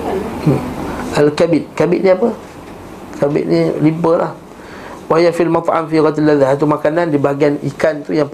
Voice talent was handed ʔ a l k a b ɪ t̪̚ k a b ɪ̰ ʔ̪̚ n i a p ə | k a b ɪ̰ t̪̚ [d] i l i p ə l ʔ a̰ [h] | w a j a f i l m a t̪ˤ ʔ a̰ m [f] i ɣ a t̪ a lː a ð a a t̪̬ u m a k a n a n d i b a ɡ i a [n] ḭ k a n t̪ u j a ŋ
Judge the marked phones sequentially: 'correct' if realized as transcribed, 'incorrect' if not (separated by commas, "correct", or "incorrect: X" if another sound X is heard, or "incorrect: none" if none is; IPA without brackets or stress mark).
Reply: incorrect: n, correct, correct, correct